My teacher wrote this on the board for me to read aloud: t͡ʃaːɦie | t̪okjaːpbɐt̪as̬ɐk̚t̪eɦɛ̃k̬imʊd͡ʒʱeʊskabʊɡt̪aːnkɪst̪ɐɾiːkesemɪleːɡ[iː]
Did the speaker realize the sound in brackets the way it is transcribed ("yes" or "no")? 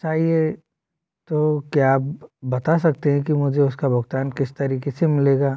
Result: no